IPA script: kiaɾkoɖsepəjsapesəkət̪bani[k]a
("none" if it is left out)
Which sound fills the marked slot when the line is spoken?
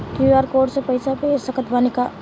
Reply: k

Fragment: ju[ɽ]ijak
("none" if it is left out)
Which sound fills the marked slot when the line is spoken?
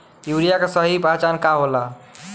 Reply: ɾ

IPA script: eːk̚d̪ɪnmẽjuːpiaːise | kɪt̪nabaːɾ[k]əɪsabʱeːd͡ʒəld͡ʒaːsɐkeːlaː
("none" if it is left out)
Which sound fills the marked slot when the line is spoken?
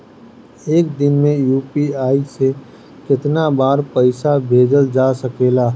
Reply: p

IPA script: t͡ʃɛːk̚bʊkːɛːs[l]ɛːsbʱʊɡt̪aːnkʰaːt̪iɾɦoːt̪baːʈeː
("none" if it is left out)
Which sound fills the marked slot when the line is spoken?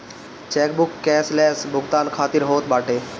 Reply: l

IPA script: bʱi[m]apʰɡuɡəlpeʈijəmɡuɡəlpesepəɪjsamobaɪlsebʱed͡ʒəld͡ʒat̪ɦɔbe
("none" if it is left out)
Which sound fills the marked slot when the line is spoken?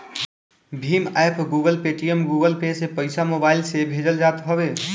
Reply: m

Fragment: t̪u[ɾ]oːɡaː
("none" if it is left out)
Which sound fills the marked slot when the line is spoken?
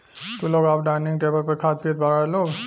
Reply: l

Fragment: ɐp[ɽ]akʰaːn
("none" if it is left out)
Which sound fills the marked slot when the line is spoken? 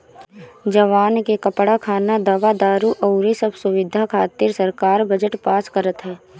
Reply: ɽ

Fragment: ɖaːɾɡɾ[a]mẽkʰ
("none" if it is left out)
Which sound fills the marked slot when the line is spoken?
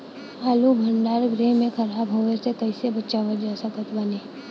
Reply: e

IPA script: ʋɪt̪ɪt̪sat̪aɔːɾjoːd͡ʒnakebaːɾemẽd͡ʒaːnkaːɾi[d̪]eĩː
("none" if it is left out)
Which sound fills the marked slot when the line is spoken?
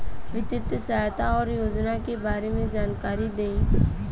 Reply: d̪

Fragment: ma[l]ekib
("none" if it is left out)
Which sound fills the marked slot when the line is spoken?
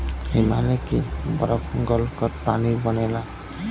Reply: l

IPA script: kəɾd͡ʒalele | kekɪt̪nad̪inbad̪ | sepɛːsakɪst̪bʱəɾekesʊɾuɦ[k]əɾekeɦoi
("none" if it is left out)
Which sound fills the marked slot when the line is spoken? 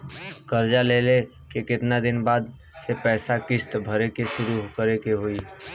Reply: k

